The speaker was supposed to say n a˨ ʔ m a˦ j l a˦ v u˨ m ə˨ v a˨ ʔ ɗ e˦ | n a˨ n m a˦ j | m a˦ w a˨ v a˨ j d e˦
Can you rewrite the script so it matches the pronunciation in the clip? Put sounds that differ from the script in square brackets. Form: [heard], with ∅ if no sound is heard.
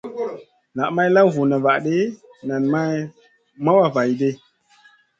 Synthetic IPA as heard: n a˨ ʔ m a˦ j l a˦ v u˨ [n] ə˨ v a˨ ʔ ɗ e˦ | n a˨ n m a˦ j | m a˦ w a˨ v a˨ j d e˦